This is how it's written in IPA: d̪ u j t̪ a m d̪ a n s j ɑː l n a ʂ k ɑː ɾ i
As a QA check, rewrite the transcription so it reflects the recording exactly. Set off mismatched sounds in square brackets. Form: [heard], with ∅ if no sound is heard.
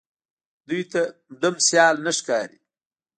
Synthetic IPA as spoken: d̪ u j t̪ a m d̪ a [m] s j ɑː l n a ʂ k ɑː ɾ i